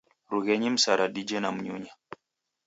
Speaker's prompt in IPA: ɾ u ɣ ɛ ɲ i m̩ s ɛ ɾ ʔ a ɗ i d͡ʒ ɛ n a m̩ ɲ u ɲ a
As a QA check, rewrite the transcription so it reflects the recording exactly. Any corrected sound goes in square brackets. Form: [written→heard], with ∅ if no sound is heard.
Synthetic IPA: ɾ u ɣ ɛ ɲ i m̩ s [ɛ→a] ɾ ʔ a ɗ i d͡ʒ ɛ n a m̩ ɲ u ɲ a

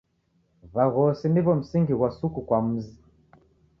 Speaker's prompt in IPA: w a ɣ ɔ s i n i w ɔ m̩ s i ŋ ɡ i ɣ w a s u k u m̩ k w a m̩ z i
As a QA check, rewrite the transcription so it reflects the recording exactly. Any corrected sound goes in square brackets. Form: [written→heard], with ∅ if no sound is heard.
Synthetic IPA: [w→β] a ɣ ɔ s i n i [w→β] ɔ m̩ s i ŋ ɡ i ɣ w a s u k u [m̩→∅] k w a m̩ z i

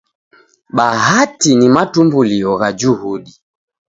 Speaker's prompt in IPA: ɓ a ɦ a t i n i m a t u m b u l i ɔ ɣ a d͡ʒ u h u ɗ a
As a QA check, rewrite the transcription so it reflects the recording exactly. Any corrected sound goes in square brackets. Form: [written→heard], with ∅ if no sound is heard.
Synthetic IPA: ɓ a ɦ a t i n i m a t u m b u l i ɔ ɣ a d͡ʒ u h u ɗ [a→i]

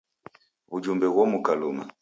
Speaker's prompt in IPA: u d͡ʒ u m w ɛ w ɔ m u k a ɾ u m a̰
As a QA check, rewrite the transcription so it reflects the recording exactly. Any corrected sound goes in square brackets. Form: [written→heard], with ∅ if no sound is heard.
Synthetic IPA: u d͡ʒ u m [w→b] ɛ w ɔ m u k a [ɾ→l] u m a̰

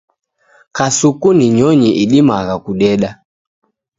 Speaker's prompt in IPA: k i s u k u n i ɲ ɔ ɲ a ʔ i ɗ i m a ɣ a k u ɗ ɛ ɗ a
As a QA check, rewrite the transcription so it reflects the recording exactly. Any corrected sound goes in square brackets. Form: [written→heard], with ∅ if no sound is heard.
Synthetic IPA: k [i→a] s u k u n i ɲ ɔ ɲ [a→i] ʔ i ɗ i m a ɣ a k u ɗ ɛ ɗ a

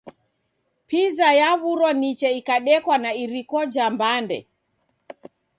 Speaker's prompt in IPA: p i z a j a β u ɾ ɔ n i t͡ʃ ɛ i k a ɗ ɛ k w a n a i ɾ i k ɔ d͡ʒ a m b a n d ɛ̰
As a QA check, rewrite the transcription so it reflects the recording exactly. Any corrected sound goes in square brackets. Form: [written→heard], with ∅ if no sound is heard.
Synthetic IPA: p i z a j a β u ɾ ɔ n i t͡ʃ ɛ i k a ɗ ɛ k w a n a i ɾ i k ɔ d͡ʒ a m b a n d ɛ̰

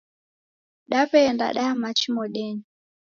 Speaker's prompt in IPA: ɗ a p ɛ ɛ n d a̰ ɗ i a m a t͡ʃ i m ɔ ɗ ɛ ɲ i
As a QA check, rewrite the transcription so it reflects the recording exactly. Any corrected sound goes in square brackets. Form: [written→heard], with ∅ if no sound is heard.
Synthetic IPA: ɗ a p ɛ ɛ n d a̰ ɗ [i→a] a m a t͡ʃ i m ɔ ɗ ɛ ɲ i

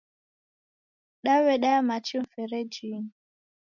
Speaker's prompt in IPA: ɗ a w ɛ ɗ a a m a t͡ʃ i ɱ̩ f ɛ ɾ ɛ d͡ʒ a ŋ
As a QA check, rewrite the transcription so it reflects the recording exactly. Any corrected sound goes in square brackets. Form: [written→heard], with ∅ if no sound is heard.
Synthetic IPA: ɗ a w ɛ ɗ a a m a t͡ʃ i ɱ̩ f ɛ ɾ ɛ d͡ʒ [a→i] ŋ

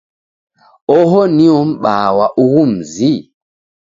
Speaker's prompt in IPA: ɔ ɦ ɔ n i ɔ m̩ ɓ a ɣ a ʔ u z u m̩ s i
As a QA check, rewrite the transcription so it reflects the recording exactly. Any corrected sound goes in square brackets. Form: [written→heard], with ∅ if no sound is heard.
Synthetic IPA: ɔ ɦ ɔ n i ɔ m̩ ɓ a [ɣ→w] a ʔ u [z→ɣ] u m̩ [s→z] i

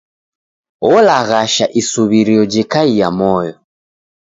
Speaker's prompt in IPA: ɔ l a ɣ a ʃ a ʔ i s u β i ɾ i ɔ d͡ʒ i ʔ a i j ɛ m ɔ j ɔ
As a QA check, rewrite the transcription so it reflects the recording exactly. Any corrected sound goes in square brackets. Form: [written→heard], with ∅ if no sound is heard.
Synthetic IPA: ɔ l a ɣ a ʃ a ʔ i s u β i ɾ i ɔ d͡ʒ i [ʔ→k] a i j [ɛ→a] m ɔ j ɔ

